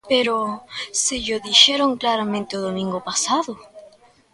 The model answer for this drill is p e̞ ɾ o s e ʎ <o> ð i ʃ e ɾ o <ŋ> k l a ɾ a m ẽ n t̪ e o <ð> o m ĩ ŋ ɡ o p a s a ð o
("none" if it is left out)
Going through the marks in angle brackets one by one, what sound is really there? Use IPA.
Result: o, ŋ, ð

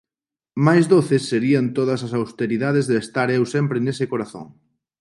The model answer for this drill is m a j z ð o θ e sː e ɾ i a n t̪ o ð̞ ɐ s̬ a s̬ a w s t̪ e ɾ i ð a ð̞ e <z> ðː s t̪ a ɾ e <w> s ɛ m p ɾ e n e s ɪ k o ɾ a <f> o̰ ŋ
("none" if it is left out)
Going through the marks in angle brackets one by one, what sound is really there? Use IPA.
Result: z, w, θ

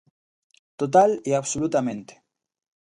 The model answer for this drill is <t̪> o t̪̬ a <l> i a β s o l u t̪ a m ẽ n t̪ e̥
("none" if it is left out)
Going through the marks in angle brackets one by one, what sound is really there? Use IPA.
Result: t̪, l

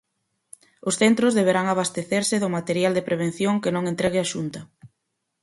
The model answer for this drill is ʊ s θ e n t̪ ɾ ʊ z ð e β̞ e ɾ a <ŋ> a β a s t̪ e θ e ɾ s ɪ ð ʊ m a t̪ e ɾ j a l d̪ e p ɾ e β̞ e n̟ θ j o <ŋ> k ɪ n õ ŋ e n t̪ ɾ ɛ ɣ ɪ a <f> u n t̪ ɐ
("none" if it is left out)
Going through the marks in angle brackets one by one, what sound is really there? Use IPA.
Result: ŋ, ŋ, ʃ

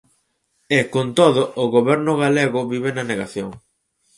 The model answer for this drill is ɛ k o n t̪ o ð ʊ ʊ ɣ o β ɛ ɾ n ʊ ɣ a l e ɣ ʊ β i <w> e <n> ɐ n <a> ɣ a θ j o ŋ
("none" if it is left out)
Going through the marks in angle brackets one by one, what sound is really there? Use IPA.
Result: β, n, e

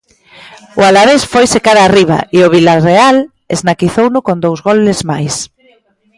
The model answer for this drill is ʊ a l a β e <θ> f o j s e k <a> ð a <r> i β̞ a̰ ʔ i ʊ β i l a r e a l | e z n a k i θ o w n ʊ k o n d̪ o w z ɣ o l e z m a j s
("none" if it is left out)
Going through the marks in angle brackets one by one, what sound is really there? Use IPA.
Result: s, a, r

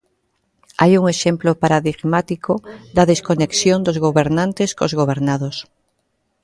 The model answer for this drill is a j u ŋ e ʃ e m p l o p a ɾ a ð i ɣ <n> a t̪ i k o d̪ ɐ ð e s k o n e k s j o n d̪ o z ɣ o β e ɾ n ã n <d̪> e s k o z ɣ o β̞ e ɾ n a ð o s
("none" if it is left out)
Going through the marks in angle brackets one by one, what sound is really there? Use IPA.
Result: m, t̪

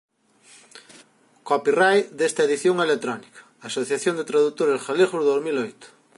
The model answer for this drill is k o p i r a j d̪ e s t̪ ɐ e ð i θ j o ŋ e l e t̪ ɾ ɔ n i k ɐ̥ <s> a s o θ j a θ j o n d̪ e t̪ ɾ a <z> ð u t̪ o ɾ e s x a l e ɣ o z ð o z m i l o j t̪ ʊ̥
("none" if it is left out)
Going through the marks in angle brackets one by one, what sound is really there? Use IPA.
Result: none, none

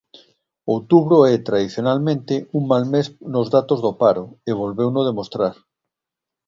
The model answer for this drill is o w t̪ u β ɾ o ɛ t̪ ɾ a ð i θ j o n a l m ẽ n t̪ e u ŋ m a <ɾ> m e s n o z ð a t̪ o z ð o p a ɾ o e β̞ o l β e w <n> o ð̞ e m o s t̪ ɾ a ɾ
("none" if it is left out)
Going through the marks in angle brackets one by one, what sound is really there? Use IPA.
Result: l, n

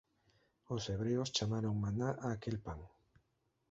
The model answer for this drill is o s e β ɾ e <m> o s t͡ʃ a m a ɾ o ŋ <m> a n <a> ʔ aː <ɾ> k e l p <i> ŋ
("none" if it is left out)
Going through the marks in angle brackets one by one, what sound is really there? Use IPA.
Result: none, m, a, none, a

